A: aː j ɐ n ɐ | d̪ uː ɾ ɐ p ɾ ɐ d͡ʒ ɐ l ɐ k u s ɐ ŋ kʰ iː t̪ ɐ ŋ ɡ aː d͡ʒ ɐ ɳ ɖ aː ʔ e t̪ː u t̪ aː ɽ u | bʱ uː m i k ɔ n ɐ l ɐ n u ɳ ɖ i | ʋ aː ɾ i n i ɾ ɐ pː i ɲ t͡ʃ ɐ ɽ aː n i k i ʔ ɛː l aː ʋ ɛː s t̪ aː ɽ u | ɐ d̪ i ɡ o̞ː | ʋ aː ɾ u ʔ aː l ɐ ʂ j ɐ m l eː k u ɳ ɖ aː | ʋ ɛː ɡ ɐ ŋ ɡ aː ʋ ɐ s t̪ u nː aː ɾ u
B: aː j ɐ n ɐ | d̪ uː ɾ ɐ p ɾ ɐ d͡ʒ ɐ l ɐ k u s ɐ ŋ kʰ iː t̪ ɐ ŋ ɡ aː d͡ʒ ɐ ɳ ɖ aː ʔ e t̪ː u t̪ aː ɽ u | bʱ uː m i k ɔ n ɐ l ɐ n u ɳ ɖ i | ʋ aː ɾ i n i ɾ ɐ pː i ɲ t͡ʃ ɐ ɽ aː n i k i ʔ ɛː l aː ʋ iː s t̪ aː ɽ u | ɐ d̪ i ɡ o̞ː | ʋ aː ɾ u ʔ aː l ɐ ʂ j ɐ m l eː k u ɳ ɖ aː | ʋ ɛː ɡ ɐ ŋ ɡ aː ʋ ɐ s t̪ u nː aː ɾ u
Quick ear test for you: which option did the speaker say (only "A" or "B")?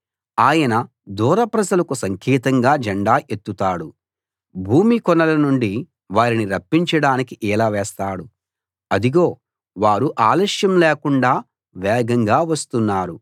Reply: A